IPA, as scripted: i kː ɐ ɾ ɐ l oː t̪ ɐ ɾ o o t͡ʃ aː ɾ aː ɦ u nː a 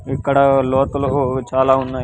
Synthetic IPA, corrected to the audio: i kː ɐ ɽ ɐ l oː t̪ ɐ l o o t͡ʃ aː l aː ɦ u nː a